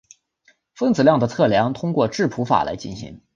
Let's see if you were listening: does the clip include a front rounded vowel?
no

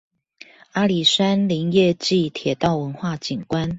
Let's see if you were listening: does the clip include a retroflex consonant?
no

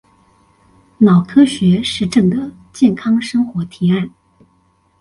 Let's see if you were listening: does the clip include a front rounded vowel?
no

